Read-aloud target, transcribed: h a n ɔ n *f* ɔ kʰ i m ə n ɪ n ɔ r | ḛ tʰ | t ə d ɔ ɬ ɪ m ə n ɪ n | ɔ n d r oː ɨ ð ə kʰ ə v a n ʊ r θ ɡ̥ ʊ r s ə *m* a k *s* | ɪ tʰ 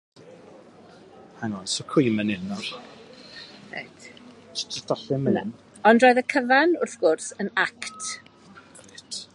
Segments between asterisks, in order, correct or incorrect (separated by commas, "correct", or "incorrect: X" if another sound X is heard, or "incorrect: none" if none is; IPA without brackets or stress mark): incorrect: s, incorrect: n, incorrect: t